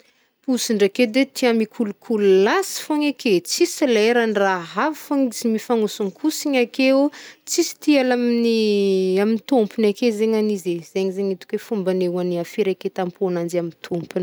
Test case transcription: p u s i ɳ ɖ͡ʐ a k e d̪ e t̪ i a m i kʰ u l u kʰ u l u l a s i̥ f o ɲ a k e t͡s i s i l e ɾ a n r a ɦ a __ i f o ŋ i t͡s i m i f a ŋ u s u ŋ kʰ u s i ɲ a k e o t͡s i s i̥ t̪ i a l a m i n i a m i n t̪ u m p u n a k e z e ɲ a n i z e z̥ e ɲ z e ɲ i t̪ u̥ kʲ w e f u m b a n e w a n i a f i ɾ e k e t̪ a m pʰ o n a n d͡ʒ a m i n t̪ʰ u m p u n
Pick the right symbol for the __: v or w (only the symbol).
v